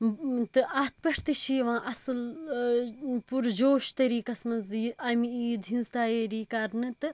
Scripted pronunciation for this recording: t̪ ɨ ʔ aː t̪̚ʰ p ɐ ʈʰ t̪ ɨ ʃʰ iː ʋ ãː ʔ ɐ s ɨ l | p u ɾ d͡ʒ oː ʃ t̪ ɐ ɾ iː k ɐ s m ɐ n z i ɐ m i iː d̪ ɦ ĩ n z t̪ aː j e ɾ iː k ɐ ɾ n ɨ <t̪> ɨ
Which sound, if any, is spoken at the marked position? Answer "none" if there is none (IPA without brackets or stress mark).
t̪